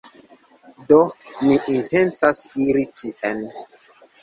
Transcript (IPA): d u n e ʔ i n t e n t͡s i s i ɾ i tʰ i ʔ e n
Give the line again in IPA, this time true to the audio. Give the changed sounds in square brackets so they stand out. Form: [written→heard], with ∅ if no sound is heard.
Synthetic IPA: d [u→o] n [e→i] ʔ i n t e n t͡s [i→a] s i ɾ i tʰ i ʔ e n